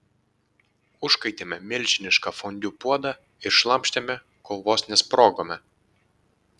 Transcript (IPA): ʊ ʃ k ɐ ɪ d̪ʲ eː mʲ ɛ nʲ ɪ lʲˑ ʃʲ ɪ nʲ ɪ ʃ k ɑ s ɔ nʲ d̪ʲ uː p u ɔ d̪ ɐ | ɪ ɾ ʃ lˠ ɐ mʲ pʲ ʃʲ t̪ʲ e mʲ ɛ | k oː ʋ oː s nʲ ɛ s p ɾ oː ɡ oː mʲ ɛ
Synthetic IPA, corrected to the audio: ʊ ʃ k ɐ ɪ t̪ʲ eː mʲ ɛ mʲ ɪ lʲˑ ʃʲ ɪ nʲ ɪ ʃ k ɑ f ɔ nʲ d̪ʲ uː p u ɔ d̪ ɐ | ɪ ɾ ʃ lˠ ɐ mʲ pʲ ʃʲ t̪ʲ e mʲ ɛ | k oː ʋ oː s nʲ ɛ s p ɾ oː ɡ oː mʲ ɛ